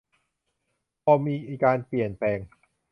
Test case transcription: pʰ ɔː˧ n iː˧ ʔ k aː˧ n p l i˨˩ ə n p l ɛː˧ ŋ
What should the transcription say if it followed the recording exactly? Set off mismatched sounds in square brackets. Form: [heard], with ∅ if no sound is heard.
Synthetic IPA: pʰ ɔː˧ [m] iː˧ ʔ k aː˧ n p l i˨˩ ə n p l ɛː˧ ŋ